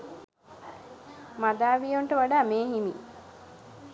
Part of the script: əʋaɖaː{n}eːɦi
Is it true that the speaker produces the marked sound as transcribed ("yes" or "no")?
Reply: no